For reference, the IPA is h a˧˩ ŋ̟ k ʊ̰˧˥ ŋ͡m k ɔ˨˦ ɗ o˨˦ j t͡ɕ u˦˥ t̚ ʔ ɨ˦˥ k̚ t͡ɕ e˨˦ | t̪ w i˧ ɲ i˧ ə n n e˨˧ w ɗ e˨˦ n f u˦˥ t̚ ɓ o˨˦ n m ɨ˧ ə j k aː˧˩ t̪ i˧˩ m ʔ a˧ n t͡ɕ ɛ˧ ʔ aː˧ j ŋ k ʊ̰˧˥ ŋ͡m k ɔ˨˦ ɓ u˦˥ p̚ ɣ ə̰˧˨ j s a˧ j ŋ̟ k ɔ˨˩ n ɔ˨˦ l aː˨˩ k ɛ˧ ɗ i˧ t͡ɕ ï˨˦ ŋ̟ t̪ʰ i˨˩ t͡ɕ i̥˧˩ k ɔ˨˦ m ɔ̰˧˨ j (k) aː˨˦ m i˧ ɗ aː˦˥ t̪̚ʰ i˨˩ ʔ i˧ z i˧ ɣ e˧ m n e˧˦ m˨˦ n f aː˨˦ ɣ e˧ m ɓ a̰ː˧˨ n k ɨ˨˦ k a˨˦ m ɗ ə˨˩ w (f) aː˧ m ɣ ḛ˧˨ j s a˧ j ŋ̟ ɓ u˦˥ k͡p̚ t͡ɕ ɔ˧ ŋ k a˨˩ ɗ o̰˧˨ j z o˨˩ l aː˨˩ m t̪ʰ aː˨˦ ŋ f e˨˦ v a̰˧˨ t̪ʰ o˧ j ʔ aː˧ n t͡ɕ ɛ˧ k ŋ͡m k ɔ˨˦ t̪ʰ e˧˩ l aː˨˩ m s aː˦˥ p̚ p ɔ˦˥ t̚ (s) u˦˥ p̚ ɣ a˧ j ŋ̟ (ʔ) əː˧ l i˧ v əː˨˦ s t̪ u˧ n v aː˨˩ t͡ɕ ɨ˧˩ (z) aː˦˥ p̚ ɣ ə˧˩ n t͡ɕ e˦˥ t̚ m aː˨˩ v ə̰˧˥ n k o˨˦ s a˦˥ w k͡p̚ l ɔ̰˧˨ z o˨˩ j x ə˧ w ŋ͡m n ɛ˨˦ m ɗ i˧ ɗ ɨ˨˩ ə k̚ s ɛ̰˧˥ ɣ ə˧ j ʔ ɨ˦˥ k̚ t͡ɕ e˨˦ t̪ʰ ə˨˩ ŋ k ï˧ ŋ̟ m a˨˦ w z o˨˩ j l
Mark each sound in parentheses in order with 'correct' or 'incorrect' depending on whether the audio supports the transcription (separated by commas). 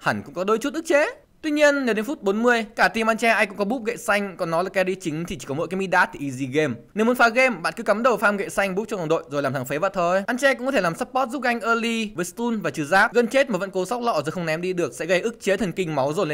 correct, correct, incorrect, correct, correct